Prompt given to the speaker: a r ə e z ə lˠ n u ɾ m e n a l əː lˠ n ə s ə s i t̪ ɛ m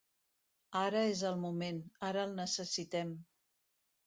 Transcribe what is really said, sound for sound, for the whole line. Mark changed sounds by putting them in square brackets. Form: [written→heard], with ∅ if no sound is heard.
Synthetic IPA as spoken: a [r→ɾ] ə e z ə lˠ [n→m] u [ɾ→∅] m e n a [l→ɾ] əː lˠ n ə s ə s i t̪ ɛ m